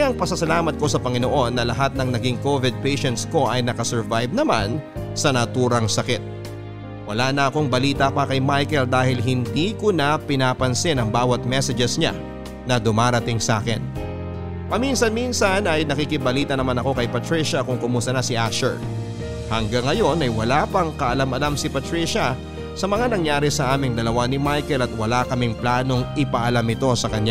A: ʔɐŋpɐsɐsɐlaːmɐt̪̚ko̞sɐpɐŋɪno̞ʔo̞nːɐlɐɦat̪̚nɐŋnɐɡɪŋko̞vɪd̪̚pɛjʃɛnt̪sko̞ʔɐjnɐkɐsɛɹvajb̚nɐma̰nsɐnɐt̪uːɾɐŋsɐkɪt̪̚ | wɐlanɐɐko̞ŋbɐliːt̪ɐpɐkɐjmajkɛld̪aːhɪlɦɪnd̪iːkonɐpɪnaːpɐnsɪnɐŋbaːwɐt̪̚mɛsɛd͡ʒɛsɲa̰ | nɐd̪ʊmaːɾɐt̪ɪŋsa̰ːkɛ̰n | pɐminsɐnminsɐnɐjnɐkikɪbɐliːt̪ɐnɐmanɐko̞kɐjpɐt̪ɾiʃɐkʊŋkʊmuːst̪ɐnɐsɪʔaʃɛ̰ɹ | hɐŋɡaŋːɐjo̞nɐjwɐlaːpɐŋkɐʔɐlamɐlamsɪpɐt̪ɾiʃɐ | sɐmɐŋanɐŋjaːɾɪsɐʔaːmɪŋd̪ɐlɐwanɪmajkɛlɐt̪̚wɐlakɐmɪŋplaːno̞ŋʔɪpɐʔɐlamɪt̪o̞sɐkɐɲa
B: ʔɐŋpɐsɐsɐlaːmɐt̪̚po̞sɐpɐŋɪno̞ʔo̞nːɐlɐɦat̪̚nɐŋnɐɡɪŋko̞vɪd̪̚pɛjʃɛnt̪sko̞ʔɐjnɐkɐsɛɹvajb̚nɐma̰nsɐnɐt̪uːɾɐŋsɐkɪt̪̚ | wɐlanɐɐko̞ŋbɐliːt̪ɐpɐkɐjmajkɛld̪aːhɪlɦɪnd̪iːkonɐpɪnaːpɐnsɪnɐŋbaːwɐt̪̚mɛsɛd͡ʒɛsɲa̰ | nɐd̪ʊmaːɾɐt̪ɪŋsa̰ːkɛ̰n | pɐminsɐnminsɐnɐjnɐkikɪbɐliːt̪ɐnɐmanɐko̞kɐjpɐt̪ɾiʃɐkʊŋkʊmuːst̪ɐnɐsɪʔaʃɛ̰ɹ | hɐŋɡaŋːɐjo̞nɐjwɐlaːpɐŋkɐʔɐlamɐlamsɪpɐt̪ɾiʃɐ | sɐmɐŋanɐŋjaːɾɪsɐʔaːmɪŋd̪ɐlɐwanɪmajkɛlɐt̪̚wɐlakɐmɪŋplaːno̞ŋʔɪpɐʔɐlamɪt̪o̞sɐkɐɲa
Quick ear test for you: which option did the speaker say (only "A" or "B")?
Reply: A